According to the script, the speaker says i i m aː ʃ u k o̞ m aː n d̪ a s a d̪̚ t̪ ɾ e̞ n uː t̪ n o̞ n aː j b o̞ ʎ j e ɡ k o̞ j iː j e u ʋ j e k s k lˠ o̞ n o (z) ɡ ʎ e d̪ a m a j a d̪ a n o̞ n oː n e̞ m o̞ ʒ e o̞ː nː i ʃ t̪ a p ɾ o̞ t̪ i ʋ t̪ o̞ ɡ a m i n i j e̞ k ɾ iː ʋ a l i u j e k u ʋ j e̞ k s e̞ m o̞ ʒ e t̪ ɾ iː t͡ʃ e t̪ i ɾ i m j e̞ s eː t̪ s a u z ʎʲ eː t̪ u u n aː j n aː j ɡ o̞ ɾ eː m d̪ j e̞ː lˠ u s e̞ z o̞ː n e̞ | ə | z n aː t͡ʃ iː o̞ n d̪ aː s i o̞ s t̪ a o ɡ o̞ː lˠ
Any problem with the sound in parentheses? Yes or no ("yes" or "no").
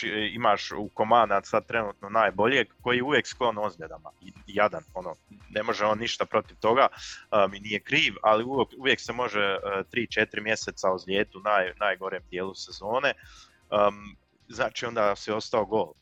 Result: no